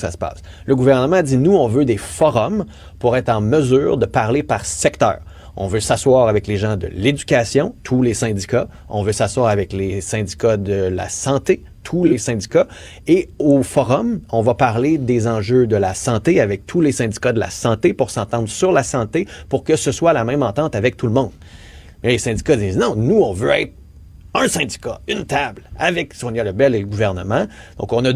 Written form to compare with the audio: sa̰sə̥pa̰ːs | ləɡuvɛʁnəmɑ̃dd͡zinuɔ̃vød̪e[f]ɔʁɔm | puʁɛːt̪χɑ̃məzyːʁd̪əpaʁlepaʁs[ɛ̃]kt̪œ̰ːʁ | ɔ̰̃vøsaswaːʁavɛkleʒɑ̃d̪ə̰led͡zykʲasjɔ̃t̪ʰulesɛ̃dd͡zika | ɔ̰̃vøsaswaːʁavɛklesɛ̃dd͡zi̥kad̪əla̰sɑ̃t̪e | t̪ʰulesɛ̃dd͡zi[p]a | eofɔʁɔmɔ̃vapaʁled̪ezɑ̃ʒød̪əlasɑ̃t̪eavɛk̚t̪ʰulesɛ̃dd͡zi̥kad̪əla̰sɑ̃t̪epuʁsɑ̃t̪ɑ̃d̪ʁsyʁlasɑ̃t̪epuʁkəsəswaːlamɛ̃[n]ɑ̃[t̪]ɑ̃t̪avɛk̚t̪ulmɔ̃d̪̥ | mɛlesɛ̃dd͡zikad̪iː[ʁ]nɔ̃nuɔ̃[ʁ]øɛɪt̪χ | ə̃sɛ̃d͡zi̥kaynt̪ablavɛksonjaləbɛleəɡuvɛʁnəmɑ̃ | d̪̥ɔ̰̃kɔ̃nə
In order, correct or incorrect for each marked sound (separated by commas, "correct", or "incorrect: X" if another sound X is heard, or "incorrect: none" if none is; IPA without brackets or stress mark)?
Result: correct, incorrect: ɛ, incorrect: k, incorrect: m, correct, incorrect: z, incorrect: v